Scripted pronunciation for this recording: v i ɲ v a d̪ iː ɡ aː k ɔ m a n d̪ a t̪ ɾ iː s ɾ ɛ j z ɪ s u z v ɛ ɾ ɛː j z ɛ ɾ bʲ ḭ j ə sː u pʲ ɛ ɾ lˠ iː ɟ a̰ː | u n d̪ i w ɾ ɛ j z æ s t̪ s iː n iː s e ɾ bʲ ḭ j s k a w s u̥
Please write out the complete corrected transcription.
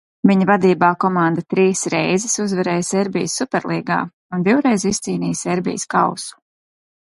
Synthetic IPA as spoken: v i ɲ v a d̪ iː b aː k ɔ m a n d̪ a t̪ ɾ iː s ɾ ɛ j z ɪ s u z v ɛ ɾ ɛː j s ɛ ɾ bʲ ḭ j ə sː u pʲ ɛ ɾ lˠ iː ɡ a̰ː | u n d̪ i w ɾ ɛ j z i s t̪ s iː n iː s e ɾ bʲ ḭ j s k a w s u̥